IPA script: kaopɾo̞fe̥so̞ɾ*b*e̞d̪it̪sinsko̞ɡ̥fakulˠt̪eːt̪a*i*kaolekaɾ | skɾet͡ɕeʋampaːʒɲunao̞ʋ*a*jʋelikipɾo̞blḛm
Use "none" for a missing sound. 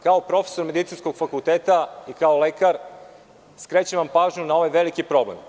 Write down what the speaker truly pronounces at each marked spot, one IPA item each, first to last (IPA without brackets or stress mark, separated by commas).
m, i, a